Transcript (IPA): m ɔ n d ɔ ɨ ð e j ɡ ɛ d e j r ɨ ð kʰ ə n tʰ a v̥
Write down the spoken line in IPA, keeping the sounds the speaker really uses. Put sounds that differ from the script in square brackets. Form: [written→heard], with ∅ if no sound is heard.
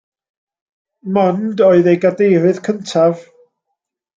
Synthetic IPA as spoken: m ɔ n d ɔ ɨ ð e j ɡ [ɛ→a] d e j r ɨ ð kʰ ə n tʰ a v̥